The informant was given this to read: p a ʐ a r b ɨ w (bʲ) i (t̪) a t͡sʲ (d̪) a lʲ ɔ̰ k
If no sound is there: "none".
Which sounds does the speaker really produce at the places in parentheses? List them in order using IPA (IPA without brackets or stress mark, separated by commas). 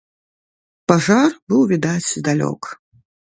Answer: vʲ, d̪, d̪